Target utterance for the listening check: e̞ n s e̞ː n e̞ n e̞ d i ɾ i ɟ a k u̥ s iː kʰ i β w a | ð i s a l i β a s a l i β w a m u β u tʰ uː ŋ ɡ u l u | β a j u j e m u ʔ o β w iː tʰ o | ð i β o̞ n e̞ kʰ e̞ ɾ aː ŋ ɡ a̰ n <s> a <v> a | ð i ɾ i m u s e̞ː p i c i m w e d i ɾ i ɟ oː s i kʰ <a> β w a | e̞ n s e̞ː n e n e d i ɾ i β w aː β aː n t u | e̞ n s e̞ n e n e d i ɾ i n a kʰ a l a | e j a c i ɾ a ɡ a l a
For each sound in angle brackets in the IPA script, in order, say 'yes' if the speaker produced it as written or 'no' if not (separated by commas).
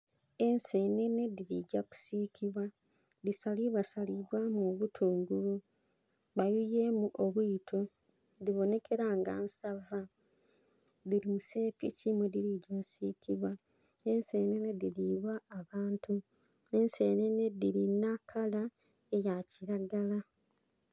yes, yes, no